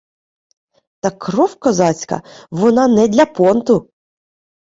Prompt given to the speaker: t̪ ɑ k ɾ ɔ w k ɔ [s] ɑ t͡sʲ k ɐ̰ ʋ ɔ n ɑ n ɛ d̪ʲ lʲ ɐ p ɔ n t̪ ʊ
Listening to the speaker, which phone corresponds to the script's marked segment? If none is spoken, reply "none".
z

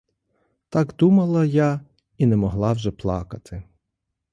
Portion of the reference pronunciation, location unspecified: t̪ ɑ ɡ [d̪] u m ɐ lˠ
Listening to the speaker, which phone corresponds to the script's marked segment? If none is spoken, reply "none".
d̪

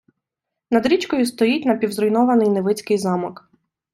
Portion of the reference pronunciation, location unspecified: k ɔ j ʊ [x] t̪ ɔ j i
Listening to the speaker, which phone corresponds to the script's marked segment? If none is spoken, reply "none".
s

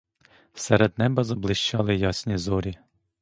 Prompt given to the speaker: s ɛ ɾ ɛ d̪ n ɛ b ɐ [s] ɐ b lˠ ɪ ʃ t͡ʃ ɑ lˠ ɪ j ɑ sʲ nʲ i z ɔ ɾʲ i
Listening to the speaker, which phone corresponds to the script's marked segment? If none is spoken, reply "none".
z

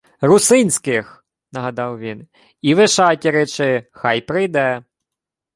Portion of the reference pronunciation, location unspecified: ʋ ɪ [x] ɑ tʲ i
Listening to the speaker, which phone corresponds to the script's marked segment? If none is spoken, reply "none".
ʃ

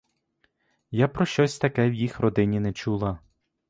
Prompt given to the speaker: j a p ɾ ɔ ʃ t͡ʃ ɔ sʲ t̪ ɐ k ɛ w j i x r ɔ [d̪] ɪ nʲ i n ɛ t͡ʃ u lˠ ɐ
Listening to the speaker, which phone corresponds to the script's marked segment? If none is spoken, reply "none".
d̪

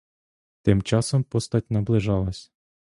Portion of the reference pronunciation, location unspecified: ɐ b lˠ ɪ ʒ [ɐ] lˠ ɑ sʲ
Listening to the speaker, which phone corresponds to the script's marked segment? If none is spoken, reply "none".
ɑ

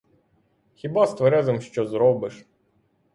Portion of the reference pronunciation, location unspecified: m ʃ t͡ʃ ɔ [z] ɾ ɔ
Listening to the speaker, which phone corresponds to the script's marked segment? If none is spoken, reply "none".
z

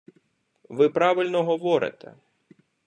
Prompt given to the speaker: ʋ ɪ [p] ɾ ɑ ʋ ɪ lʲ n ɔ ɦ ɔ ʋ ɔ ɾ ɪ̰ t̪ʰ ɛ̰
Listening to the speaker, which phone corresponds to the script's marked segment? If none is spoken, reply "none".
p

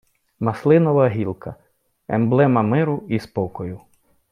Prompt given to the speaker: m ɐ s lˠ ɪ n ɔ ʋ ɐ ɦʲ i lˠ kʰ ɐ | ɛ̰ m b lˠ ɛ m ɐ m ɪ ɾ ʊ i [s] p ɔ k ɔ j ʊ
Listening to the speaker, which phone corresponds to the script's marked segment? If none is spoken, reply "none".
s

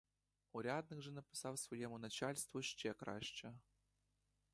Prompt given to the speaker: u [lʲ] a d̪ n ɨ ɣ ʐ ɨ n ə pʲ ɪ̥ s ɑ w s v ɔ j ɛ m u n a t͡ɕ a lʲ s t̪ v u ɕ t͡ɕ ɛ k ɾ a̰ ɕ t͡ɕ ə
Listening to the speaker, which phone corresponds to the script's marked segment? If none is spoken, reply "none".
ɾʲ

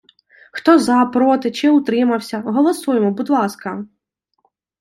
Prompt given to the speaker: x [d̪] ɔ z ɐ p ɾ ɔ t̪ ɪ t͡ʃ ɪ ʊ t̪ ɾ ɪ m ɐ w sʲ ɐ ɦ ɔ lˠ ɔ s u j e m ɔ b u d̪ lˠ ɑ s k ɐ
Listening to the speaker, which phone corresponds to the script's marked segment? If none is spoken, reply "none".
t̪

